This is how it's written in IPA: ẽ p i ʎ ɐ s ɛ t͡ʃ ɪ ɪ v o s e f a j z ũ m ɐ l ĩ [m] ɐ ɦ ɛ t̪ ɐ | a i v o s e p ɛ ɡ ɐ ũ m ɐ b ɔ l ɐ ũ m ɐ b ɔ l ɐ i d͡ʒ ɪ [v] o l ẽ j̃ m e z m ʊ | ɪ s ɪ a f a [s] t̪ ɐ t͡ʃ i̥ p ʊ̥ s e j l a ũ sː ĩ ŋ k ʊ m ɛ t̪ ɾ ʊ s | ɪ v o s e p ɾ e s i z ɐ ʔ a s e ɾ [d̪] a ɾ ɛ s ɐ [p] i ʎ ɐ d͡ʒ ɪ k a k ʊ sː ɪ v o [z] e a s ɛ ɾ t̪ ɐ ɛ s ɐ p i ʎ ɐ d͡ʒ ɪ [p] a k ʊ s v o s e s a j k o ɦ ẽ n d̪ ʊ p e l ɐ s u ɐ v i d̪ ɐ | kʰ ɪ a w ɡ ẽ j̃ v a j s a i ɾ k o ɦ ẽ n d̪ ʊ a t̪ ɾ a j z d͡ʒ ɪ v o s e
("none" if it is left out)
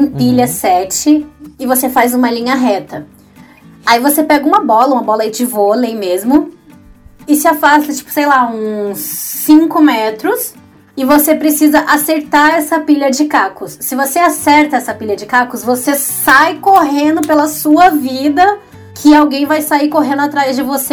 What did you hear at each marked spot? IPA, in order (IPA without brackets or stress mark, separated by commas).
ɲ, v, s, t̪, p, s, k